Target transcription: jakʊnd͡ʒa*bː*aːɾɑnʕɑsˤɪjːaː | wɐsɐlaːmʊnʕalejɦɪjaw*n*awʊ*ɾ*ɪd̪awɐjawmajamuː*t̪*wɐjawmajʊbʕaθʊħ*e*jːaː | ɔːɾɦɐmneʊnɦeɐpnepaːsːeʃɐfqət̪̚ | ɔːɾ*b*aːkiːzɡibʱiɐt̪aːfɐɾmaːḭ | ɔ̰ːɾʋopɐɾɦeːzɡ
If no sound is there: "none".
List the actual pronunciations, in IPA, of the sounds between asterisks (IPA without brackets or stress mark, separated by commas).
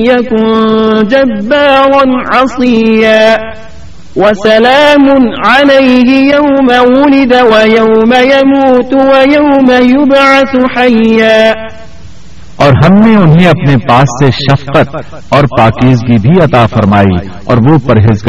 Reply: bː, m, l, t̪, a, p